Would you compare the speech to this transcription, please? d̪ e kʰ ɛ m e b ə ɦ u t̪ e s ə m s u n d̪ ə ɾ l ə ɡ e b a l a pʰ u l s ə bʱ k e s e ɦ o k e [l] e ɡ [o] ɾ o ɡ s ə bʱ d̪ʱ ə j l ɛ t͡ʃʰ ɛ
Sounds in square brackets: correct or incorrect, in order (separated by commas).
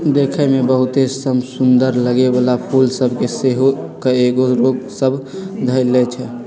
incorrect, correct